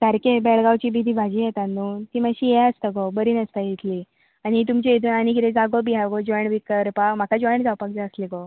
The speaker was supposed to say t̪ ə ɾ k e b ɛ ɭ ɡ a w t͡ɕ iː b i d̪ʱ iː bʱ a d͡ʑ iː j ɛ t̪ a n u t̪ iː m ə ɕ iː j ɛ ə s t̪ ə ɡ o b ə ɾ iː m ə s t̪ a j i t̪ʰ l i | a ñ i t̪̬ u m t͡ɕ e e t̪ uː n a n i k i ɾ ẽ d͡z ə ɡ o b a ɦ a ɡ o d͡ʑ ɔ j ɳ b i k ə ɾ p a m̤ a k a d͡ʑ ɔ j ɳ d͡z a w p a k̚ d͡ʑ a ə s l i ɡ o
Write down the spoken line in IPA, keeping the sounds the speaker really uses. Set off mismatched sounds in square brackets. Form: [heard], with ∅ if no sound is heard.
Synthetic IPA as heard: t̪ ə ɾ k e b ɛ ɭ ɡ a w t͡ɕ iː b i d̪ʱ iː bʱ a d͡ʑ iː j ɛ t̪ a n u t̪ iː m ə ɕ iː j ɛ ə s t̪ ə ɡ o b ə ɾ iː [n] ə s t̪ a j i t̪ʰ l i | a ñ i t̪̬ u m t͡ɕ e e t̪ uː n a n i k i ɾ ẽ d͡z [a] ɡ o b [i] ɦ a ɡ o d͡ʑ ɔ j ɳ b i k ə ɾ p a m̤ a k a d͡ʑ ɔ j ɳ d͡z a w p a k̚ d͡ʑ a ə s l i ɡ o